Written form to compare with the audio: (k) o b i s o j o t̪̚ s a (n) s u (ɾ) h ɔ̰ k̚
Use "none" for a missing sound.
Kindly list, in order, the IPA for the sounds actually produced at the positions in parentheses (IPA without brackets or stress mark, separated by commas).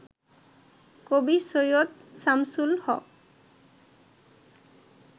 k, m, l